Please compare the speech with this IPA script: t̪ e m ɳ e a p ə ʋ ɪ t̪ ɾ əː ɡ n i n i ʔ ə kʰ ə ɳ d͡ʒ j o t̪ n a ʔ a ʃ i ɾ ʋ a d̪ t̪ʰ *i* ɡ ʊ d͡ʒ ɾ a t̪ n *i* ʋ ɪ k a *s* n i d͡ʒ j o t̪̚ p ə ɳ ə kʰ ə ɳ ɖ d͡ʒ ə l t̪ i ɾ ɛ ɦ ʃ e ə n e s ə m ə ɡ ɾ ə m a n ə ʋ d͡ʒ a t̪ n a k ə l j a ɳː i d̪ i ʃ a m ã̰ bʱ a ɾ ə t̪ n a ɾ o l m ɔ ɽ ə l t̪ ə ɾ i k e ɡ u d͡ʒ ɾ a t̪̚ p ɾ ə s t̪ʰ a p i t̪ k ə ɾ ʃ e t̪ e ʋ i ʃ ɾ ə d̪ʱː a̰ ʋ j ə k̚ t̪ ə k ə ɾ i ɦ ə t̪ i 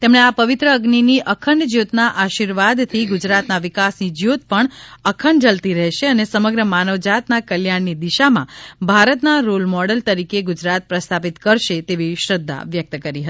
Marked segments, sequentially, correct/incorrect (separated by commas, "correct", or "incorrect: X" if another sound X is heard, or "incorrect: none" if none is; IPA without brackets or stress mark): correct, incorrect: a, correct